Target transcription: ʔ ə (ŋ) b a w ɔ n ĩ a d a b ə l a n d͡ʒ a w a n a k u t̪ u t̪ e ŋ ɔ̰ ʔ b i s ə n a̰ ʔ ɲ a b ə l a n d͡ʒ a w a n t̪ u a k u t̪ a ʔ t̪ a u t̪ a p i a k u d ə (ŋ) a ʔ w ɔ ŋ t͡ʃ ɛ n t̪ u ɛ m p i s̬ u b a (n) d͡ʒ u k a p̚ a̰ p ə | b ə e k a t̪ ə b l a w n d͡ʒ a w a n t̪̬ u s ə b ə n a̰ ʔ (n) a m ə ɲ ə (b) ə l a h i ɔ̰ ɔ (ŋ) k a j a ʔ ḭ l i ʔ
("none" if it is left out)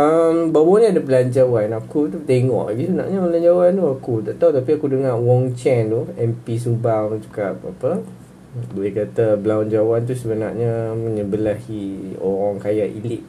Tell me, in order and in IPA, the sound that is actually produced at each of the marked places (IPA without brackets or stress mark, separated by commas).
m, ŋ, ŋ, ɲ, b, ŋ